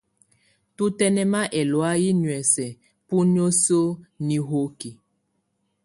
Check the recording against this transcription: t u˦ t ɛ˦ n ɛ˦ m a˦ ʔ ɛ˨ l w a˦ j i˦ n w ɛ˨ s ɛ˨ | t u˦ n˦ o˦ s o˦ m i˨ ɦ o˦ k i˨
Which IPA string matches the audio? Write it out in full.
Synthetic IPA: t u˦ t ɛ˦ n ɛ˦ m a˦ ʔ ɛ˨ l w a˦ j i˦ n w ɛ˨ s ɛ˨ | p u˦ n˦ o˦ s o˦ n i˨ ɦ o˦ k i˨